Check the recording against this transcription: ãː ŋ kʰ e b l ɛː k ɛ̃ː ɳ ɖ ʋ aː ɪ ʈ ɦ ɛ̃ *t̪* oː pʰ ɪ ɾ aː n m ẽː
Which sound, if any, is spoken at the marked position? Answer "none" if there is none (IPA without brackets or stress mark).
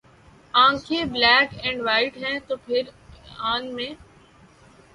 t̪